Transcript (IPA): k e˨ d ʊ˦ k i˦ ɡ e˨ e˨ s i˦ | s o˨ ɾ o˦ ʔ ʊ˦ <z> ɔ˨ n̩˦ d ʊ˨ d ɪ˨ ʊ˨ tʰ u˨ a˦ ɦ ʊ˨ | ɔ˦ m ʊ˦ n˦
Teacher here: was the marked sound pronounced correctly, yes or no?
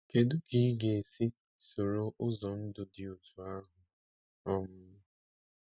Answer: yes